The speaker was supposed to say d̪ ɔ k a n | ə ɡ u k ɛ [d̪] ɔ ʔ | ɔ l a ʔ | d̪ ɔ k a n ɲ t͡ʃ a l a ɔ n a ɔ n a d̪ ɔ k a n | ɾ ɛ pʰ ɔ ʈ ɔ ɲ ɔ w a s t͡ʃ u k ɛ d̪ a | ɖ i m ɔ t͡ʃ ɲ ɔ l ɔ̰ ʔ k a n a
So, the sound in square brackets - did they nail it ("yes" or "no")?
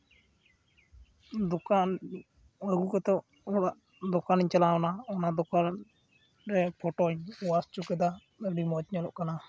no